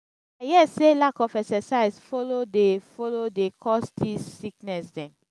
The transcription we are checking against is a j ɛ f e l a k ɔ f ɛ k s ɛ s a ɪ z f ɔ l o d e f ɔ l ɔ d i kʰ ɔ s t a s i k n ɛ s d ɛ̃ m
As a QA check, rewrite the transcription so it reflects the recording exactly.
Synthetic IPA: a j ɛ s e l a k ɔ f ɛ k s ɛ s a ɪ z f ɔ l o d e f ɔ l o d e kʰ ɔ s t i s i k n ɛ s d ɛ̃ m